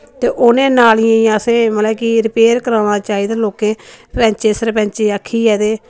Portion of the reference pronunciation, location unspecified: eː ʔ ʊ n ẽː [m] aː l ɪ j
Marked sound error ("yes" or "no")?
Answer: yes